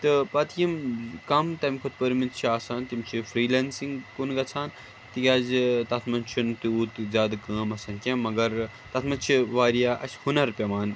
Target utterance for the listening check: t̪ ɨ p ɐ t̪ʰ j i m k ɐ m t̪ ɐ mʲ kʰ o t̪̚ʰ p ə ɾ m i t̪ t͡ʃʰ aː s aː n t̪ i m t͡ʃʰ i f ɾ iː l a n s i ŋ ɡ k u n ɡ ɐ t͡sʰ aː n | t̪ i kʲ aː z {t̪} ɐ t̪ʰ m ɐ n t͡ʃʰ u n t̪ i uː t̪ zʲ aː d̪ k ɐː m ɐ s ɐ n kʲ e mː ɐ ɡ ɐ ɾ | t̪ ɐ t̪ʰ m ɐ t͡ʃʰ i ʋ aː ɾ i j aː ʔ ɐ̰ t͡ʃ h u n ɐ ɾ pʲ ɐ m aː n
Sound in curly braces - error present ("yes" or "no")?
no